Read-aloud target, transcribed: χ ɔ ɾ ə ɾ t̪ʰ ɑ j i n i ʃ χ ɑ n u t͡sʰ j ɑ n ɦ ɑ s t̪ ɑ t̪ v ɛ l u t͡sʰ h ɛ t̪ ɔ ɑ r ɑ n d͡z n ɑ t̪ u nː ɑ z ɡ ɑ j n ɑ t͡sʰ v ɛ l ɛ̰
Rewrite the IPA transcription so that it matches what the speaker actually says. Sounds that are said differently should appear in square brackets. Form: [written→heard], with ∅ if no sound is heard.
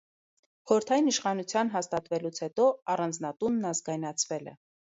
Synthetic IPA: χ ɔ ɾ ə ɾ t̪ʰ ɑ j i n i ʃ χ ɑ n u t͡sʰ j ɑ n ɦ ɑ s t̪ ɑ t̪ v ɛ l u t͡sʰ h ɛ t̪ ɔ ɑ r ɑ n d͡z n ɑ t̪ u nː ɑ z ɡ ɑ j n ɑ t͡sʰ v ɛ l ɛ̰